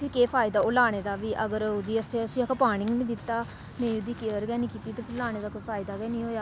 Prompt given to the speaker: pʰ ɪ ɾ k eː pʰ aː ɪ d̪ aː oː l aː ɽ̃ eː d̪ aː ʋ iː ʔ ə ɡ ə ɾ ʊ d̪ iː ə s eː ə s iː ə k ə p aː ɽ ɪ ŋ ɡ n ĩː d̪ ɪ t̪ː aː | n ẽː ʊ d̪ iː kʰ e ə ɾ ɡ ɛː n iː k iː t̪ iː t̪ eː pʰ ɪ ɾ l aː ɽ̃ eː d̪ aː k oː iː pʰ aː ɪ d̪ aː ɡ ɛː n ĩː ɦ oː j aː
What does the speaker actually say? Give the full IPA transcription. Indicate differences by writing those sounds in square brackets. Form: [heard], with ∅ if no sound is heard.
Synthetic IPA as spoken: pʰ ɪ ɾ k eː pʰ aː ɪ d̪ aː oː l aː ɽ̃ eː d̪ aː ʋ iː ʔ ə ɡ ə ɾ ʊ d̪ iː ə s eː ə s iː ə k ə p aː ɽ ɪ ŋ ɡ n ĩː d̪ ɪ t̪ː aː | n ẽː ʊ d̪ iː [k] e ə ɾ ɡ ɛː n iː k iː t̪ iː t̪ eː pʰ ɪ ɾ l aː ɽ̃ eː d̪ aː k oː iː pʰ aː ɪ d̪ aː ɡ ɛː n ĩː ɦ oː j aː